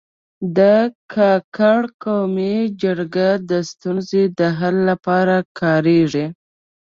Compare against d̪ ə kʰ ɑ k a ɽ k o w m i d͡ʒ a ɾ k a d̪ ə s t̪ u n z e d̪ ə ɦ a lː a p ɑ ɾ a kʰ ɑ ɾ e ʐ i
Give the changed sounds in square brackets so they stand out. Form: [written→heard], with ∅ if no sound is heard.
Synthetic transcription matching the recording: d̪ ə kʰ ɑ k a ɽ k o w m i d͡ʒ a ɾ [k→ɡ] a d̪ ə s t̪ u n z e d̪ ə ɦ a lː a p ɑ ɾ a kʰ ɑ ɾ e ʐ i